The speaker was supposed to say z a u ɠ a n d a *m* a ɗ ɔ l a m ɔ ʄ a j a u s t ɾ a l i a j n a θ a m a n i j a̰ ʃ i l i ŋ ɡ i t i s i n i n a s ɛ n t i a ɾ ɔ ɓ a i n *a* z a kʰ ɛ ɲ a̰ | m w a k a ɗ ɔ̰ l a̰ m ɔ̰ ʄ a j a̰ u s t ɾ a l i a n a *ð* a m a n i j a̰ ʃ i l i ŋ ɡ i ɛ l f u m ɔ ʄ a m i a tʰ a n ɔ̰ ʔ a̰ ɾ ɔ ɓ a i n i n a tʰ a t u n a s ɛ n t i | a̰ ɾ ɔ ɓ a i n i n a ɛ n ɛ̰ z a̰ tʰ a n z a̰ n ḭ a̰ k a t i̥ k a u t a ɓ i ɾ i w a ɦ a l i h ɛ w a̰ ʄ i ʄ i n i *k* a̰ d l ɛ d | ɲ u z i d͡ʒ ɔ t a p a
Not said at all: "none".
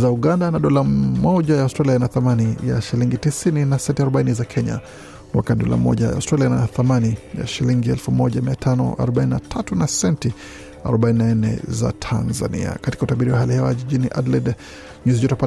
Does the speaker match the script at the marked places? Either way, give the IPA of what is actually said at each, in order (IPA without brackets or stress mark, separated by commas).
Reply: n, i, θ, ʔ